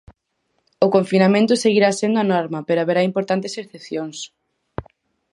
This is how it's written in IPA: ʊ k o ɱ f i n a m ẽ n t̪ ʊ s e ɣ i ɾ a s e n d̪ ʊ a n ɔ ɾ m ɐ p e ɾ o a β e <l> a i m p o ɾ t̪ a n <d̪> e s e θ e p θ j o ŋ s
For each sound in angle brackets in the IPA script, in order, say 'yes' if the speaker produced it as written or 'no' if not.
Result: no, no

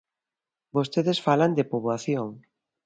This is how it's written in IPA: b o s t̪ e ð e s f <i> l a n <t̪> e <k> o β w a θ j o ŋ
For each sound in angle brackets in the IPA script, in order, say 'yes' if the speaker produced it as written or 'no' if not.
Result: no, no, no

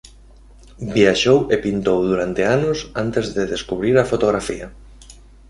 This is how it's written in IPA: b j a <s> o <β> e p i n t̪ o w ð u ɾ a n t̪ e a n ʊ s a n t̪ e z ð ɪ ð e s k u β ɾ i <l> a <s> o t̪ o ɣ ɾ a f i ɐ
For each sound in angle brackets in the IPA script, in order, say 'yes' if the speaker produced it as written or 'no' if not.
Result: no, no, no, no

